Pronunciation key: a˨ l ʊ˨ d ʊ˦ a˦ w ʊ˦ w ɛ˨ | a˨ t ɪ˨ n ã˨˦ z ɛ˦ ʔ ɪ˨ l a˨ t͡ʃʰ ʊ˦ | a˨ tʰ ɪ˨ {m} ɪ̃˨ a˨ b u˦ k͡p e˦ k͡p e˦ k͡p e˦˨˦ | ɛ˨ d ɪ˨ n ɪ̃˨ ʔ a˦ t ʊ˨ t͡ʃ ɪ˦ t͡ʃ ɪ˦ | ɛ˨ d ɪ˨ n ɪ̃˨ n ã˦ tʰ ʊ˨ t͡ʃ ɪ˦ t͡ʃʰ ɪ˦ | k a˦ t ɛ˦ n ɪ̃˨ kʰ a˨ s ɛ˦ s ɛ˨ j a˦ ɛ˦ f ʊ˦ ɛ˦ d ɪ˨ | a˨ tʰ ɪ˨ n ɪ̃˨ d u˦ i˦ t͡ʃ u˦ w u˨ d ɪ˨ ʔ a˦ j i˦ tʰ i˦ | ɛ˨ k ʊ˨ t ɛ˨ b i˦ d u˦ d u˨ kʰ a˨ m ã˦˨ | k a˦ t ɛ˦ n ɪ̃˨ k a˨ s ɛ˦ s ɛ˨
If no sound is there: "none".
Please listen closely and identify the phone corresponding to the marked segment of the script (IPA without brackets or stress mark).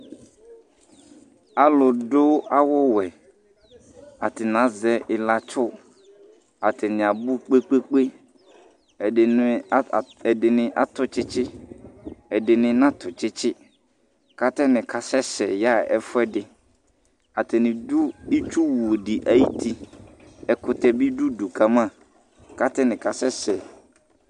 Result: n